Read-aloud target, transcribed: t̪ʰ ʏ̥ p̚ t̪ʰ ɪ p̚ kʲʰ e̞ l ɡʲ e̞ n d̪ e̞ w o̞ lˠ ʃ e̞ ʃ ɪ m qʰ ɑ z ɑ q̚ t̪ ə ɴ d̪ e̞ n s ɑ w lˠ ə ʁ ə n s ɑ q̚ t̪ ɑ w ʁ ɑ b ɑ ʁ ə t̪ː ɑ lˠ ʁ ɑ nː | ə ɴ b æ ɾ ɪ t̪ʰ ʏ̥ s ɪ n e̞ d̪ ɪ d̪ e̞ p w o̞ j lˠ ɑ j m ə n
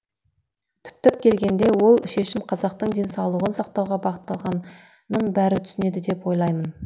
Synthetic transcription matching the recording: t̪ʰ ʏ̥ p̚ t̪ ɪ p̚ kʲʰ e̞ l ɡʲ e̞ n d̪ e̞ w o̞ lˠ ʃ e̞ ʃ ɪ m qʰ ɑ z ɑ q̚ t̪ ə ɴ d̪ e̞ n s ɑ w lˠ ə ʁ ə n s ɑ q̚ t̪ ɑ w ʁ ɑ b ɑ ʁ ə t̪ː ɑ lˠ ʁ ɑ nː | ə ɴ b æ ɾ ɪ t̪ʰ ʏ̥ s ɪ n e̞ d̪ ɪ d̪ e̞ p w o̞ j lˠ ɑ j m ə n